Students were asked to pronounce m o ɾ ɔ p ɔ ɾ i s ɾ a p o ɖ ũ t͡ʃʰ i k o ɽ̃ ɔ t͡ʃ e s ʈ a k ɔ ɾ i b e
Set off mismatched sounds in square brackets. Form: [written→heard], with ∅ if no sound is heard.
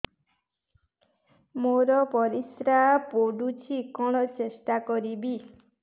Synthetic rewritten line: m o ɾ ɔ p ɔ ɾ i s ɾ a p o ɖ [ũ→u] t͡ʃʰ i k [o→ɔ] ɽ̃ ɔ t͡ʃ e s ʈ a k ɔ ɾ i b [e→i]